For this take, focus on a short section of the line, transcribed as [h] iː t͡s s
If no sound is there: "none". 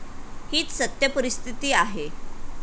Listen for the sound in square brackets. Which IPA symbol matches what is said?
h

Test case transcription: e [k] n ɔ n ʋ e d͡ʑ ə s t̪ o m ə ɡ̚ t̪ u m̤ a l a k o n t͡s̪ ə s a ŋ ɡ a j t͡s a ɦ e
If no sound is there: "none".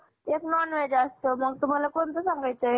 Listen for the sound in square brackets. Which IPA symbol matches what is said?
k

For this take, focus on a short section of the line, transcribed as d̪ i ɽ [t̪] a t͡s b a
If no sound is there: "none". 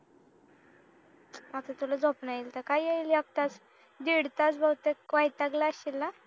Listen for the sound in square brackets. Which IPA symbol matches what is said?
t̪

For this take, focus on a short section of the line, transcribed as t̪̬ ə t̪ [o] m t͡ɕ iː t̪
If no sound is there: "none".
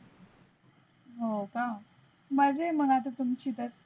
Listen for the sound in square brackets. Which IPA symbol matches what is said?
u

